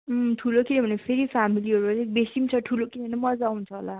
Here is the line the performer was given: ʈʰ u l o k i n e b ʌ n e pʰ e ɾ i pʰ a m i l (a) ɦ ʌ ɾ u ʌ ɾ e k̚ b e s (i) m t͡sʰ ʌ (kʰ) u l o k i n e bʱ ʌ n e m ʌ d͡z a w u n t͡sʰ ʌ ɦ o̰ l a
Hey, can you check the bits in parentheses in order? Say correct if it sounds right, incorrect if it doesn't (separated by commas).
incorrect, correct, incorrect